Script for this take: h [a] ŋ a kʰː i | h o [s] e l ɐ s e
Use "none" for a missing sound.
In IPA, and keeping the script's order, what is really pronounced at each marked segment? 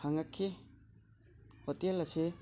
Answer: a, t

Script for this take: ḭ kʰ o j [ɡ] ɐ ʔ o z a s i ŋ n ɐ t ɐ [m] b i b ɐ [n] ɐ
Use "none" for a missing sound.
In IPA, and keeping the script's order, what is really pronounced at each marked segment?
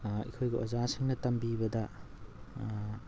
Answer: ɡ, m, d

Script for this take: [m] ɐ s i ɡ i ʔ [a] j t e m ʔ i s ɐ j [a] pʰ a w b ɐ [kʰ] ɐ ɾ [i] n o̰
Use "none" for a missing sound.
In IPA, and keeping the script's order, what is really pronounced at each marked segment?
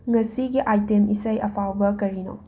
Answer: ŋ, a, ɐ, k, i

